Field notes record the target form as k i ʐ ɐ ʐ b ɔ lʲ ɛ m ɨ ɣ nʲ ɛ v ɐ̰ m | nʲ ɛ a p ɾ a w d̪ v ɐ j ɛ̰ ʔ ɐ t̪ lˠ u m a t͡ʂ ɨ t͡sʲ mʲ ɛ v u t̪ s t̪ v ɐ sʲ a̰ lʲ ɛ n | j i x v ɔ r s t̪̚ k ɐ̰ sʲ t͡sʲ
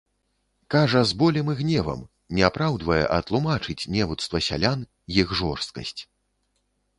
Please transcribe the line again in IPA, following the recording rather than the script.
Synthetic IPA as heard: k a ʐ ɐ z b ɔ lʲ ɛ m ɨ ɣ nʲ ɛ v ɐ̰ m | nʲ ɛ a p ɾ a w d̪ v ɐ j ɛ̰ ʔ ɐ t̪ lˠ u m a t͡ʂ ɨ t͡sʲ nʲ ɛ v u t̪ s t̪ v ɐ sʲ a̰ lʲ a n | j i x ʐ ɔ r s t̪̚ k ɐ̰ sʲ t͡sʲ